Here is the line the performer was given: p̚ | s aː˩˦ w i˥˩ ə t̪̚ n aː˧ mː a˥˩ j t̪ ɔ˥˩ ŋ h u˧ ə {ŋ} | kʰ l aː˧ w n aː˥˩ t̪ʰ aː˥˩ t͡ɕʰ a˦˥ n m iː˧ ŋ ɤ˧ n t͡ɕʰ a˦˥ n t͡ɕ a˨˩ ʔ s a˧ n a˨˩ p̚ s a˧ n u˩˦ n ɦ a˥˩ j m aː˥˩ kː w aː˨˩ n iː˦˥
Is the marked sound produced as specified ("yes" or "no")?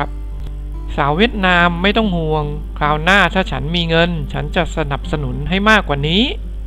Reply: yes